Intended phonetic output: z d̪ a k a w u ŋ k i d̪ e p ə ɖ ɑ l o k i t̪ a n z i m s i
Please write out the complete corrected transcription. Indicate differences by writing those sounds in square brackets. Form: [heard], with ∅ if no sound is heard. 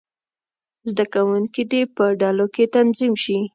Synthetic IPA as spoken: z d̪ a k a w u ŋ k i d̪ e p ə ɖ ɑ l o k [e] t̪ a n z i m [ʃ] i